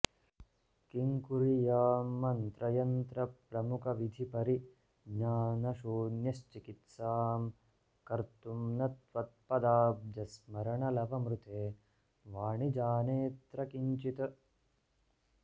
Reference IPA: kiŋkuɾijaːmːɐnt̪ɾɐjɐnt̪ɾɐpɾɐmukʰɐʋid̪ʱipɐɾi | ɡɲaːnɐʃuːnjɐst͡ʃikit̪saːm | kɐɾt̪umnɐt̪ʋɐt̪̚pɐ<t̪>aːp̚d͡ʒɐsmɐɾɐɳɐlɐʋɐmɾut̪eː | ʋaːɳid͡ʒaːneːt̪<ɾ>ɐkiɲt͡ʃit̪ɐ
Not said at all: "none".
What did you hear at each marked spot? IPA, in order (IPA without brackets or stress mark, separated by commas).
d̪, ɾ